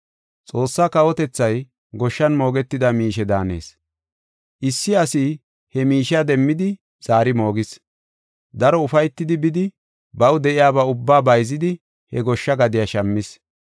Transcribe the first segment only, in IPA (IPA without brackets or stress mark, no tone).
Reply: t͡sʼ